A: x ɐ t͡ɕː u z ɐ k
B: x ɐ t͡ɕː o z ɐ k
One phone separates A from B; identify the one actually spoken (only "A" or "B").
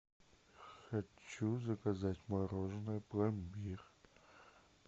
A